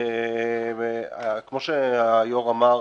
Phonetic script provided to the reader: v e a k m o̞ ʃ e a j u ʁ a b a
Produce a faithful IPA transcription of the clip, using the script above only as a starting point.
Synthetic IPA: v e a k m o̞ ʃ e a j o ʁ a m a